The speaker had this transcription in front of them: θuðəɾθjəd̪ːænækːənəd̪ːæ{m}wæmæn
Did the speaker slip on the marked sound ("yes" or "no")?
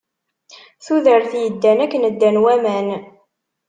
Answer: yes